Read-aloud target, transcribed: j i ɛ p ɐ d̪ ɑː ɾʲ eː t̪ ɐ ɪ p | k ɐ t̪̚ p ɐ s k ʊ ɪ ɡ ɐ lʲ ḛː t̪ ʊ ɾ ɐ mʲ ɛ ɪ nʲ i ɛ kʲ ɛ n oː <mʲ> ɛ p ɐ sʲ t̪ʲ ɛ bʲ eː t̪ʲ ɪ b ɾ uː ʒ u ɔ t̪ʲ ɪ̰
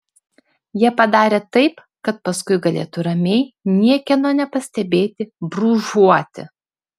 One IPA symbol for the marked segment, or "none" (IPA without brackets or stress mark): nʲ